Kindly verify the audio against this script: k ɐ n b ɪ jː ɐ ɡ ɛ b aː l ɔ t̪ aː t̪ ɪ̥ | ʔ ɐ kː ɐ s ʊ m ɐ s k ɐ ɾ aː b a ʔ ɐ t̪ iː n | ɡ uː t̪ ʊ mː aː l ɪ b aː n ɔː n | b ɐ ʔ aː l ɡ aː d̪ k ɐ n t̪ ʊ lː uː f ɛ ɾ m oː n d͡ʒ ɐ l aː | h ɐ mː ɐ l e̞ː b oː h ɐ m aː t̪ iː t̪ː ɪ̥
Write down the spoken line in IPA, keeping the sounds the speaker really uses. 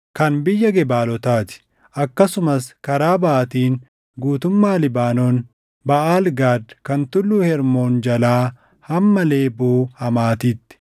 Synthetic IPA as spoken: k ɐ n b ɪ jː ɐ ɡ ɛ b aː l ɔ t̪ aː t̪ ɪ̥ | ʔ ɐ kː ɐ s ʊ m ɐ s k ɐ ɾ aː b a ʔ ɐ t̪ iː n | ɡ uː t̪ ʊ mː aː l ɪ b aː n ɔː n | b ɐ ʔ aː l ɡ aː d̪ k ɐ n t̪ ʊ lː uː h ɛ ɾ m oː n d͡ʒ ɐ l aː | h ɐ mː ɐ l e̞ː b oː h ɐ m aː t̪ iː t̪ː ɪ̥